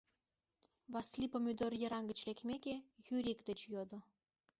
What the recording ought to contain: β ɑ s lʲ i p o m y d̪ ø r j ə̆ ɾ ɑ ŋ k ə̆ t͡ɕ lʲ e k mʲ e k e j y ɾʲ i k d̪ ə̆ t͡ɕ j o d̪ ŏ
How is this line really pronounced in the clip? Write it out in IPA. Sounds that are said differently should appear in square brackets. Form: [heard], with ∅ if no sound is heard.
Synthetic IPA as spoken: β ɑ s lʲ i p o m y d̪ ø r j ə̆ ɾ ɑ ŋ [ɡ] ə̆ t͡ɕ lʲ e k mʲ e k e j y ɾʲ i k d̪ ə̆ t͡ɕ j o d̪ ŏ